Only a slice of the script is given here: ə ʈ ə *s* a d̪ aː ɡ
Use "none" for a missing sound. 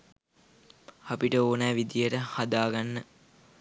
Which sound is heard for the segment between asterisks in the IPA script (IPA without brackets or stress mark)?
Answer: h